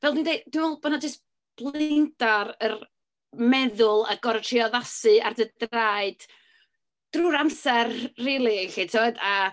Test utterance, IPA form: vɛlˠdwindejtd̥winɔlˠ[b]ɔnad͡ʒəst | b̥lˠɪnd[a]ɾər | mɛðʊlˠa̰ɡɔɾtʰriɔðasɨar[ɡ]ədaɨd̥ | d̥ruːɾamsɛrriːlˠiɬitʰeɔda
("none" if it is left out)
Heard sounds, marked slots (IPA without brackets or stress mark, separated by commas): b, a, d